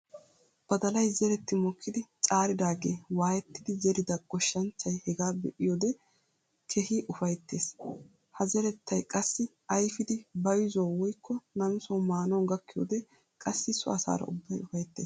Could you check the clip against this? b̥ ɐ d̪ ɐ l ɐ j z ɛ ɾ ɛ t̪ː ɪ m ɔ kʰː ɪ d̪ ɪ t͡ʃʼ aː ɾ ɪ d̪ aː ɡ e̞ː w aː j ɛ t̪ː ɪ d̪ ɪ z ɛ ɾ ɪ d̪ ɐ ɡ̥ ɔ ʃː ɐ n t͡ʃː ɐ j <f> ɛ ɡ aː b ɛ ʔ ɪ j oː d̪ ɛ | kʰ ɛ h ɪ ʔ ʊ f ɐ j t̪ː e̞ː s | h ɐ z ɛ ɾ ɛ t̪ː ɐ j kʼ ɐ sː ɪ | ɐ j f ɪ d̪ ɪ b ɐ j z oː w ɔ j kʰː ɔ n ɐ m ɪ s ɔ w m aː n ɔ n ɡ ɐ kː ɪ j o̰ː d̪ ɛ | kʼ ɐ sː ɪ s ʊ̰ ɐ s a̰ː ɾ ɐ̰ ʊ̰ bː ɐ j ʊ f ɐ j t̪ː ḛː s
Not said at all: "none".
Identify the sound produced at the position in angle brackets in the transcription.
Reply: h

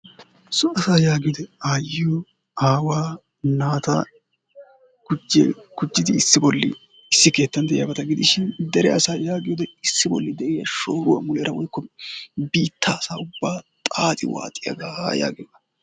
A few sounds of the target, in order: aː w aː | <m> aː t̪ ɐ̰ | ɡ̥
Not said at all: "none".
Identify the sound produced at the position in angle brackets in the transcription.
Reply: n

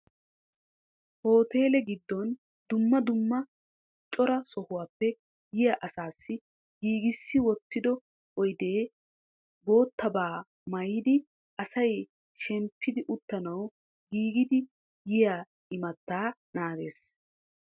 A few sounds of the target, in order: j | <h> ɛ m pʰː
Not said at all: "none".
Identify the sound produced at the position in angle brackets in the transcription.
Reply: ʃ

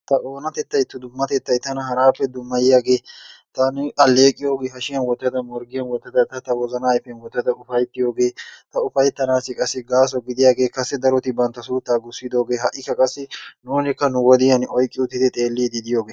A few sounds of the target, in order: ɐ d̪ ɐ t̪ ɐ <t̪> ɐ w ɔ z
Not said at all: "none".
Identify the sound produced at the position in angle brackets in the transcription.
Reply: t̪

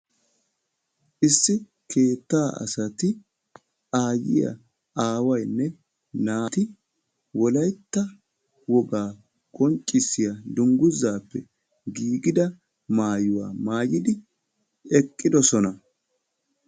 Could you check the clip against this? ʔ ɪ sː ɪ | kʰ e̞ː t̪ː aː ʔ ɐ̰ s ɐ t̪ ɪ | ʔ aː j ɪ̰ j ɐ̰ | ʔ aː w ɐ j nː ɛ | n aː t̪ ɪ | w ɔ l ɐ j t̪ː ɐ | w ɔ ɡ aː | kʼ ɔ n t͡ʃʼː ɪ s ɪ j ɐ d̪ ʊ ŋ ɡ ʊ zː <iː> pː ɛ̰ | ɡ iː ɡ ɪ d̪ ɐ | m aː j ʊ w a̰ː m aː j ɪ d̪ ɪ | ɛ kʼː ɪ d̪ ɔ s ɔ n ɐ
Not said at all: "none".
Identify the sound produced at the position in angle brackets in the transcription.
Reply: aː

